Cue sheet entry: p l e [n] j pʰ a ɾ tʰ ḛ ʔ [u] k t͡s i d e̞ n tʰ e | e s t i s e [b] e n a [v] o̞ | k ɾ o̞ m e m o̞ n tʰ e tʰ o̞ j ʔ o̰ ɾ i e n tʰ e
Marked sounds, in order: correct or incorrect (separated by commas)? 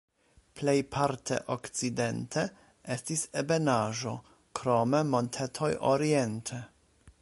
incorrect, incorrect, correct, incorrect